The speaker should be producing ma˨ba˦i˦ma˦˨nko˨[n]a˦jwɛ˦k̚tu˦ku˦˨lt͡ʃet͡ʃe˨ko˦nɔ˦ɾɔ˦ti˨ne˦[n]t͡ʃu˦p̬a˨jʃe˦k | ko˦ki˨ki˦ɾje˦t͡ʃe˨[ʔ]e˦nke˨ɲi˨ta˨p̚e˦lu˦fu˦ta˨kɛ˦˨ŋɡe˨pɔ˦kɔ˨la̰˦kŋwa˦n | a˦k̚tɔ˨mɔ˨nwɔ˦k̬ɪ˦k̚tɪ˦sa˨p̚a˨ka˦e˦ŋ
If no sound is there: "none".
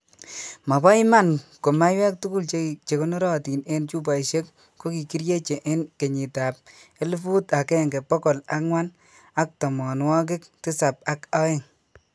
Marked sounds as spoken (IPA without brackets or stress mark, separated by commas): m, n, ʔ